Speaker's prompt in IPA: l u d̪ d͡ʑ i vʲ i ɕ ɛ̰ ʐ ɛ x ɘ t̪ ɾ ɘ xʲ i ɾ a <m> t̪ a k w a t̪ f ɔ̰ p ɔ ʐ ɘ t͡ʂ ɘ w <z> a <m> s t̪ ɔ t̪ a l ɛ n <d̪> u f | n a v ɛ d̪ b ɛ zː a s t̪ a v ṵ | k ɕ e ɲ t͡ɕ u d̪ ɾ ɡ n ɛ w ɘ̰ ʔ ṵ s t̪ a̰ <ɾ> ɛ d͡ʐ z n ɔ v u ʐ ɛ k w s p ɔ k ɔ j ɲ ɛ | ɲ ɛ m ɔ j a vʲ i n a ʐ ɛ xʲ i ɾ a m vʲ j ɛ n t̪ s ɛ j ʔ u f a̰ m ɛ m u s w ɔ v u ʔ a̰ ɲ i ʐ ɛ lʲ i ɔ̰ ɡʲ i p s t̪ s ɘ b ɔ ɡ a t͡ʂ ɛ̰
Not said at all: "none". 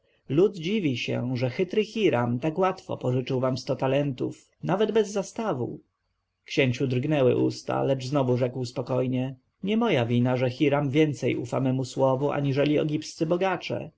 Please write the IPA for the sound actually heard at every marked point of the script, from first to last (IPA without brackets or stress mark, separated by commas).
m, v, m, t̪, l